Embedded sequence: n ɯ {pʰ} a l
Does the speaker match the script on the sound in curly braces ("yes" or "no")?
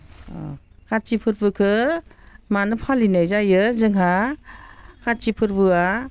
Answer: yes